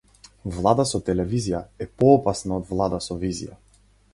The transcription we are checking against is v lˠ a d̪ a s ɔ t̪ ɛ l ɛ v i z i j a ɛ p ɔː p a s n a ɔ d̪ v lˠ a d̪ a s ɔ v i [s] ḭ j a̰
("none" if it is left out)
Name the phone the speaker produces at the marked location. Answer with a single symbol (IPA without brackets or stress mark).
z